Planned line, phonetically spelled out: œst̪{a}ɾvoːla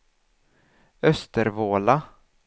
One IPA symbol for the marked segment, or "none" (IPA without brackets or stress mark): ə